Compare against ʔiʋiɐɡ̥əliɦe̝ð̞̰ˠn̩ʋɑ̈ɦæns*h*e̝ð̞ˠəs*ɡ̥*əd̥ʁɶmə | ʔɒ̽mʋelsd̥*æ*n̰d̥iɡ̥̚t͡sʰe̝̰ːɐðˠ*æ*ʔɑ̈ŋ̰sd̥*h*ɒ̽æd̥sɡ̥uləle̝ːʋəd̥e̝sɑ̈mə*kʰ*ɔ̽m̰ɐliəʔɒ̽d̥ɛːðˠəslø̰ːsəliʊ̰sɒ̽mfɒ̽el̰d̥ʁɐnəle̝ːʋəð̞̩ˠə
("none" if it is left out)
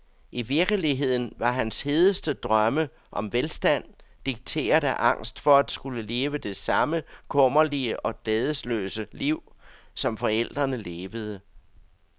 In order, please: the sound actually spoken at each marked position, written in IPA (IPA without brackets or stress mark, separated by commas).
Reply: h, d̥, æ, æ, f, kʰ